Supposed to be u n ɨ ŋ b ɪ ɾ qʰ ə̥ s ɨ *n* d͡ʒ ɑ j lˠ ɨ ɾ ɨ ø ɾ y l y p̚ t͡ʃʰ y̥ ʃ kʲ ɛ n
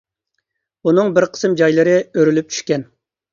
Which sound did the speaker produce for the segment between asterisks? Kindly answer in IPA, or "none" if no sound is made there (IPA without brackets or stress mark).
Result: m